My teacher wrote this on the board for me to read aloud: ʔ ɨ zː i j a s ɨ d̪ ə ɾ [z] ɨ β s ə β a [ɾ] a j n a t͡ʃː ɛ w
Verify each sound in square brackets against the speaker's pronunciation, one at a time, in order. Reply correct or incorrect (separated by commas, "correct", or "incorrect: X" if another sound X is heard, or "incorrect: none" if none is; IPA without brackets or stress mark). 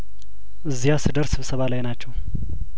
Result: incorrect: s, incorrect: l